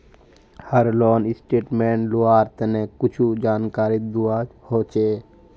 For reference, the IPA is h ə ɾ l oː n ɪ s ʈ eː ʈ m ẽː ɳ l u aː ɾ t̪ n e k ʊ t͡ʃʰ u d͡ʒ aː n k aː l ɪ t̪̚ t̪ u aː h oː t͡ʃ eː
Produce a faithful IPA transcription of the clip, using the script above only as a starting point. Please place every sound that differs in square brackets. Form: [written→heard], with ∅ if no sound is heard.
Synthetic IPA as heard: h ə ɾ l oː n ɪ s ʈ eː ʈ m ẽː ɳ l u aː ɾ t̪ n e k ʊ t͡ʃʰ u d͡ʒ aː n k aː [l→ɾ] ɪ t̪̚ [t̪→d̪] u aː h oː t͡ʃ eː